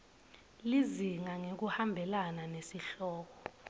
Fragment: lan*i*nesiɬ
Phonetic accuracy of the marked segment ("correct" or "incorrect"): incorrect